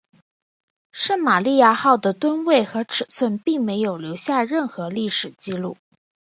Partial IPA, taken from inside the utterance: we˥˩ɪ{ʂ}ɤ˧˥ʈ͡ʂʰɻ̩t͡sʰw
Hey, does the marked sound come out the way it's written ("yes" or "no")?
no